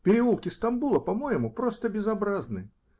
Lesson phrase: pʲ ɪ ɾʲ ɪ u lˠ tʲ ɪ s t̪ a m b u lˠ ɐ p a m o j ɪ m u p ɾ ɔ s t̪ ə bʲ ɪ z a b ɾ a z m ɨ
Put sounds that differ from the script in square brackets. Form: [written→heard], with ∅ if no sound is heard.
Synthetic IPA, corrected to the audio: pʲ ɪ ɾʲ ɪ u lˠ [tʲ→kʲ] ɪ s t̪ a m b u lˠ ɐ p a m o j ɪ m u p ɾ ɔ s t̪ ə bʲ ɪ z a b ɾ a z [m→n] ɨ